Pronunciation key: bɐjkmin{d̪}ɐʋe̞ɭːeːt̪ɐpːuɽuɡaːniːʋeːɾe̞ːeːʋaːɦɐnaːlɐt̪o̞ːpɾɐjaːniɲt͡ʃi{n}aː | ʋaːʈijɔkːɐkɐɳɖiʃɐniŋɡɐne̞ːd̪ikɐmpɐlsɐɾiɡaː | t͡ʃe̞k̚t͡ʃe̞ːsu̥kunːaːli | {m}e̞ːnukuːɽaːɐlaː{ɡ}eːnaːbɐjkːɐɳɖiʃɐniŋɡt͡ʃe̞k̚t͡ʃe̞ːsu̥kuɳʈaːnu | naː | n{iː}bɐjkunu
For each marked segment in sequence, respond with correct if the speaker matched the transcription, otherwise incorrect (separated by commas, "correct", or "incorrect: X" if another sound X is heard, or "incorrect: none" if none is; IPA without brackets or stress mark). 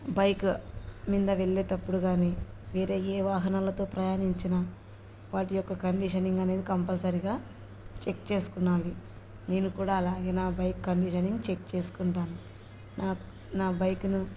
correct, correct, incorrect: n, correct, incorrect: aː